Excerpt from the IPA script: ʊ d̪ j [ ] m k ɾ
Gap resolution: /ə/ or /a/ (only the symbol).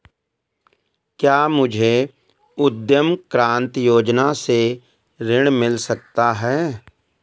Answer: ə